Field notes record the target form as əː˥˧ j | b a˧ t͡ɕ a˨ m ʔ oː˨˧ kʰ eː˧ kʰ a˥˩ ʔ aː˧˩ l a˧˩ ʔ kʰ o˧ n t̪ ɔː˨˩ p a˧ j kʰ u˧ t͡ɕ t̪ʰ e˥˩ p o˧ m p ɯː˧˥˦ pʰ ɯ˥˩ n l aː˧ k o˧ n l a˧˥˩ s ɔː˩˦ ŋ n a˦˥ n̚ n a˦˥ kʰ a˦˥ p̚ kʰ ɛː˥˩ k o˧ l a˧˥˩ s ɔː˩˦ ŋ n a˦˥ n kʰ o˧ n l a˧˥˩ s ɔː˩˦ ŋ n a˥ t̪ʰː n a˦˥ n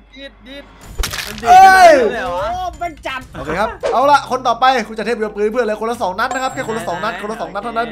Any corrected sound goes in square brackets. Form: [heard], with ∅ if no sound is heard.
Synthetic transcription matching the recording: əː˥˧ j | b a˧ t͡ɕ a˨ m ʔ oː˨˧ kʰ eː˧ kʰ [a˦˥] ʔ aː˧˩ l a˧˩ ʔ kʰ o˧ n t̪ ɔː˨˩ p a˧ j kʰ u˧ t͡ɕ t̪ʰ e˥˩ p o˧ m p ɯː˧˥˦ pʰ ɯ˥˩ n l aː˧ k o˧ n l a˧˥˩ s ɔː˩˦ ŋ n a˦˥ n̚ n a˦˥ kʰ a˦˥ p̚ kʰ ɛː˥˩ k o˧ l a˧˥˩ s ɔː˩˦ ŋ n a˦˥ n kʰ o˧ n l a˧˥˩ s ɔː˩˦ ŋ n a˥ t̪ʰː n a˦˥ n